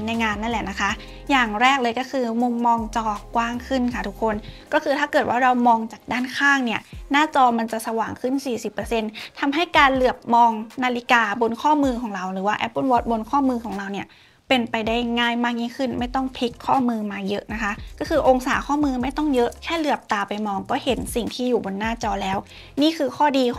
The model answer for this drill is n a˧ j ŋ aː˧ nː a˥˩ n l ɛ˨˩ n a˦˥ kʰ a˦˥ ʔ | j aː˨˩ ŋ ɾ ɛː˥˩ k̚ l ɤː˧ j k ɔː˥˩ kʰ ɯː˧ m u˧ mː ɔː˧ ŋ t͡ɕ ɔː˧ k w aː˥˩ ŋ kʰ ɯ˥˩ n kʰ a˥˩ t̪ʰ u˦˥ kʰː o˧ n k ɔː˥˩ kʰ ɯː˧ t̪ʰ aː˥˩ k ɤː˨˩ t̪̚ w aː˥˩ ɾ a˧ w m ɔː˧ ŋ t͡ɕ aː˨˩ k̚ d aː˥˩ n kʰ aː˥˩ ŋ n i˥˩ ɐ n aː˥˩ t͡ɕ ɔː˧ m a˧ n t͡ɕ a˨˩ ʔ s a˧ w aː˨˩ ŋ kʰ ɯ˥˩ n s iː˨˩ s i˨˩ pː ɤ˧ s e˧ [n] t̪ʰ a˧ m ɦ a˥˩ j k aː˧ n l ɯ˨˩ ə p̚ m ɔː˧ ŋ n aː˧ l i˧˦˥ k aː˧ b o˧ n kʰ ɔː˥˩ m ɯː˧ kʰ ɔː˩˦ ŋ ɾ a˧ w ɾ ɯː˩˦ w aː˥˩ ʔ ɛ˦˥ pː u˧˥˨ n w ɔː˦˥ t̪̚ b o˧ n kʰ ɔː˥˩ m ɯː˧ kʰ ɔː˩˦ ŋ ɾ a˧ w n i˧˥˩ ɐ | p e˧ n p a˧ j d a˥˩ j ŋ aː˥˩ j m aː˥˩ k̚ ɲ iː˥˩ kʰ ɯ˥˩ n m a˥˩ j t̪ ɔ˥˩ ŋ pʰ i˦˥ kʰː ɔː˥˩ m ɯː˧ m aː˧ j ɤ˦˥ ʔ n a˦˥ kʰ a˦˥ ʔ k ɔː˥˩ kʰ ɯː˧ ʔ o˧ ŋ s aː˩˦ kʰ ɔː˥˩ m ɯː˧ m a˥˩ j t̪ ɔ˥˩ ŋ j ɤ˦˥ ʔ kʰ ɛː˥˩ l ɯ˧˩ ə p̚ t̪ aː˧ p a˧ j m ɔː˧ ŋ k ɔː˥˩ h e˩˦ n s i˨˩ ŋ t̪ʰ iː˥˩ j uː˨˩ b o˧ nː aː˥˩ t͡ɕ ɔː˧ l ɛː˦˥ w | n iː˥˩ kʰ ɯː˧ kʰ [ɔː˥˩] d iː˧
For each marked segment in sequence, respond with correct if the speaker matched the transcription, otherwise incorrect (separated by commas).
correct, correct